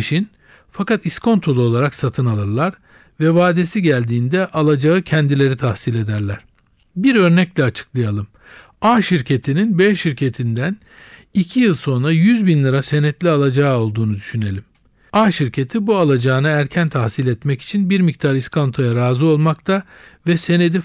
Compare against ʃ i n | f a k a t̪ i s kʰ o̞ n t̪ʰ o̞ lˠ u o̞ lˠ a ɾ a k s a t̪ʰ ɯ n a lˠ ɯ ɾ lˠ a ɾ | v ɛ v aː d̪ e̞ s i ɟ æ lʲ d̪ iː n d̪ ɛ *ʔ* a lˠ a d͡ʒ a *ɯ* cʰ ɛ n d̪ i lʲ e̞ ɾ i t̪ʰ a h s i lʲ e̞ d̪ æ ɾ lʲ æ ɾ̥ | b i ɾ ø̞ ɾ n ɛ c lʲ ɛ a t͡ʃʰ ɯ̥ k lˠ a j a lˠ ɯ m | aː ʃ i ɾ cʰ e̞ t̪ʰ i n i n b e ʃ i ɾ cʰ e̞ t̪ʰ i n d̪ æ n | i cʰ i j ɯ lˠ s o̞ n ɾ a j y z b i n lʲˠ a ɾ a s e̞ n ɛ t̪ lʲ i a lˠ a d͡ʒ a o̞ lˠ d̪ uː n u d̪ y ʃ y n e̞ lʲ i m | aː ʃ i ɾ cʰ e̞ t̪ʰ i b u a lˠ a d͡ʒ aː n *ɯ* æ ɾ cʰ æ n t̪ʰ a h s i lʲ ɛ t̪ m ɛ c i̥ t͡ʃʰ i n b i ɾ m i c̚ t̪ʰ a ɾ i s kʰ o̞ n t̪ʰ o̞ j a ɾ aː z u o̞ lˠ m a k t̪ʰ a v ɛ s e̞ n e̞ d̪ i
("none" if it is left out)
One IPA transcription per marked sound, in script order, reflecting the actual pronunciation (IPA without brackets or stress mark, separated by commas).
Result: ʔ, ɯ, ɯ